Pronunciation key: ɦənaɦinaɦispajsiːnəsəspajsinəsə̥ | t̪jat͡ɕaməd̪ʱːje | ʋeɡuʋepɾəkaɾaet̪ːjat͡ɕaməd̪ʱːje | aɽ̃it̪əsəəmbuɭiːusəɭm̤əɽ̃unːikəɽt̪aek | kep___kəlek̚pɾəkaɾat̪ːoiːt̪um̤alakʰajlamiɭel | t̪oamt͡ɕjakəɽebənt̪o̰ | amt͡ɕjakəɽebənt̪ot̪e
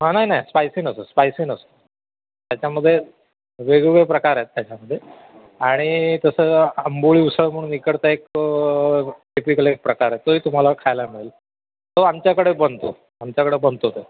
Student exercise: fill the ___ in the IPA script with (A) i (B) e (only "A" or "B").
A